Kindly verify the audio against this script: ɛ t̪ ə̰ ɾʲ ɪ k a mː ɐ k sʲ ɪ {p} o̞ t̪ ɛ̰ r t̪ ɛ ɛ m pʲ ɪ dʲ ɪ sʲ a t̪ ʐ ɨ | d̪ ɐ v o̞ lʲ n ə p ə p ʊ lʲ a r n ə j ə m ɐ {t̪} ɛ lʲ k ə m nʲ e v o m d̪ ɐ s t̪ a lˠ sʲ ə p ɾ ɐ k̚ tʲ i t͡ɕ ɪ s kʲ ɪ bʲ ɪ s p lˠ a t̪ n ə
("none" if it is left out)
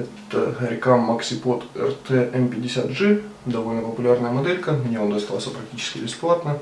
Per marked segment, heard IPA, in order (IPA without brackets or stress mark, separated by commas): p, d̪